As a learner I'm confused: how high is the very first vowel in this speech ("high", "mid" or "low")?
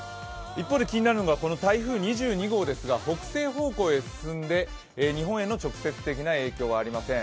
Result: high